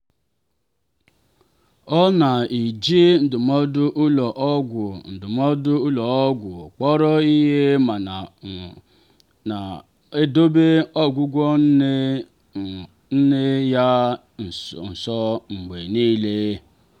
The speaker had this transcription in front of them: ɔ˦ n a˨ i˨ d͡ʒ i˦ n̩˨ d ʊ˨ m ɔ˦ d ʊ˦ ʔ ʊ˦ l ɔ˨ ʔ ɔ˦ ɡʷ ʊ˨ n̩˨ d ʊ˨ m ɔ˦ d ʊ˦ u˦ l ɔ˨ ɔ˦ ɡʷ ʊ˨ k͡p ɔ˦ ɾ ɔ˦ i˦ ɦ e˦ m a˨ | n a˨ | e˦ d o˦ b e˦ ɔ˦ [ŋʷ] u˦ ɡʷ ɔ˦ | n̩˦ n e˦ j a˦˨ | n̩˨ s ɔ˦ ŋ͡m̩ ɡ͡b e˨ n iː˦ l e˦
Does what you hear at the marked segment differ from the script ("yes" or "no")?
yes